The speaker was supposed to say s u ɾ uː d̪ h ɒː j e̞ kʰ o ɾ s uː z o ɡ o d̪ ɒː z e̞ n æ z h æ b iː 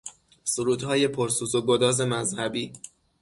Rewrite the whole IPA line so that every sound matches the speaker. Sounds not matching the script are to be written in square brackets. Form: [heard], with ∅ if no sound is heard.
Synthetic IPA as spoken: s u ɾ uː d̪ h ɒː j e̞ [pʰ] o ɾ s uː z o ɡ o d̪ ɒː z e̞ [m] æ z h æ b iː